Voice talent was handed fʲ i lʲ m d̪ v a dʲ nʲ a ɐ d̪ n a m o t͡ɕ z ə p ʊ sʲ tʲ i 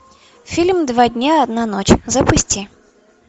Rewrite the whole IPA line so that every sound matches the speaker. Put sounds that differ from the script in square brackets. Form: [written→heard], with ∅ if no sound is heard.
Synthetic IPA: fʲ i lʲ m d̪ v a dʲ nʲ a ɐ d̪ n a [m→n] o t͡ɕ z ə p ʊ sʲ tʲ i